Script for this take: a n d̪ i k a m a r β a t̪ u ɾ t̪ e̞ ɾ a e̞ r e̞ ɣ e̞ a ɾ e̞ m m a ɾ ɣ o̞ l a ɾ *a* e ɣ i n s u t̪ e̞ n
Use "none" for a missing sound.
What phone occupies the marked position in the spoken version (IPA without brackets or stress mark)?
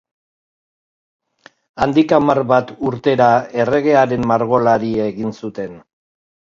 i